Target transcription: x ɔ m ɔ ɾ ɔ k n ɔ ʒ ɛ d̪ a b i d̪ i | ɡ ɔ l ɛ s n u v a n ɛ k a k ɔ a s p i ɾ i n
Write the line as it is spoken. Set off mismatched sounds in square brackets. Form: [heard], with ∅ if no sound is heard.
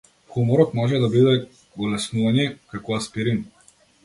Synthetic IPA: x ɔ m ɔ ɾ ɔ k [m] ɔ ʒ ɛ d̪ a b i d̪ [ɛ] | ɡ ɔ l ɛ s n u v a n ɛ k a k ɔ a s p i ɾ i n